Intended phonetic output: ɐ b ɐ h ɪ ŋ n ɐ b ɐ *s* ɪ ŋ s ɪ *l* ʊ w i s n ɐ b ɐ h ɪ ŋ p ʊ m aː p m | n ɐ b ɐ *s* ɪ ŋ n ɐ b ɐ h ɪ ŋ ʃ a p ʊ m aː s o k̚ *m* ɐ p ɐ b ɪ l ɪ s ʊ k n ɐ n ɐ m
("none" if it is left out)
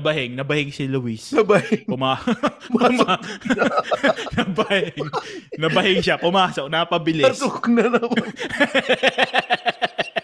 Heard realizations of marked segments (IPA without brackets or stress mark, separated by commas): h, l, h, n